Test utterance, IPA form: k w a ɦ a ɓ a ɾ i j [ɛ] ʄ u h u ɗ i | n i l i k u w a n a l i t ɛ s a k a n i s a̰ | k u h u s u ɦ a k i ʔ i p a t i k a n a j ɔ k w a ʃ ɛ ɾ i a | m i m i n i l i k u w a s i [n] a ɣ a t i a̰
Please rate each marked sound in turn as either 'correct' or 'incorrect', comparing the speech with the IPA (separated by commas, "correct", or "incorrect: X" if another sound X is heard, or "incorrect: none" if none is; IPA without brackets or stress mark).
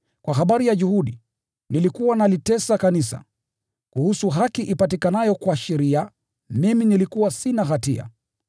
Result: incorrect: a, correct